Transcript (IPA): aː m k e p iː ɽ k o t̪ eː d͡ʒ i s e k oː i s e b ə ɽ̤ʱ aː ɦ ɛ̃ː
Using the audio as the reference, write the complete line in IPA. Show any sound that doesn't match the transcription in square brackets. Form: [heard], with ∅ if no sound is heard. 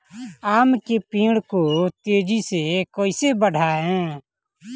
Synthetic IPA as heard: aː m k e p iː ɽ k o t̪ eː d͡ʒ i s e k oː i s e b ə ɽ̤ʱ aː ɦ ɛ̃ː